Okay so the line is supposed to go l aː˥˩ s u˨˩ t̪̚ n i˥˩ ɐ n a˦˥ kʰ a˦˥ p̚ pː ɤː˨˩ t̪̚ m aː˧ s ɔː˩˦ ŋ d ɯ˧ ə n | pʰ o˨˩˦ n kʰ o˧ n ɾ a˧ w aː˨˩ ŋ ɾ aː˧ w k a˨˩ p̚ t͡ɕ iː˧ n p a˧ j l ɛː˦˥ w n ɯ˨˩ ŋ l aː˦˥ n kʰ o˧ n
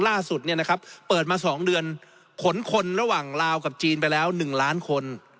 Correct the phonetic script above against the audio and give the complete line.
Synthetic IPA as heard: l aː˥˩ s u˨˩ t̪̚ n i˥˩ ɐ n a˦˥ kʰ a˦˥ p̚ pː ɤː˨˩ t̪̚ m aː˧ s ɔː˩˦ ŋ d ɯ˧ ə n | kʰ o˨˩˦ n kʰ o˧ n ɾ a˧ w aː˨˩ ŋ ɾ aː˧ w k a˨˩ p̚ t͡ɕ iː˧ n p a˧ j l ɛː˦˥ w n ɯ˨˩ ŋ l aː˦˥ n kʰ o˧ n